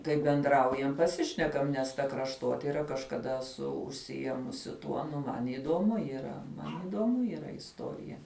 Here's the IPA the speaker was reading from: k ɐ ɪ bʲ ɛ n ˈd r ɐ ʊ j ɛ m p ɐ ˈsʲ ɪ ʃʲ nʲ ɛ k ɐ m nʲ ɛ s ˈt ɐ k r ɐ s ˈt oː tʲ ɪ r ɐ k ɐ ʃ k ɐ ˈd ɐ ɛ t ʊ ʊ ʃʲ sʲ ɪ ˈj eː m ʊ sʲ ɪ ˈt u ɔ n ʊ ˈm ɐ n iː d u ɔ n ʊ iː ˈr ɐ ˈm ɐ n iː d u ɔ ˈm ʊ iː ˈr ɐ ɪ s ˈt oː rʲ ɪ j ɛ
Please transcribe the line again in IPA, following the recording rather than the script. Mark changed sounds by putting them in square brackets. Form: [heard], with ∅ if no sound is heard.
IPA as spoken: k ɐ ɪ bʲ ɛ n ˈd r ɐ ʊ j ɛ m p ɐ ˈsʲ ɪ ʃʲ nʲ ɛ k ɐ m nʲ ɛ s ˈt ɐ k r ɐ [ʃ] ˈt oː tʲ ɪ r ɐ k ɐ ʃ k ɐ ˈd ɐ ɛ [s] ʊ ʊ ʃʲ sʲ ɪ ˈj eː m ʊ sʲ ɪ ˈt u ɔ n ʊ ˈm ɐ n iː d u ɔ [m] ʊ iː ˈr ɐ ˈm ɐ n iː d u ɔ ˈm ʊ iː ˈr ɐ ɪ s ˈt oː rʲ ɪ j ɛ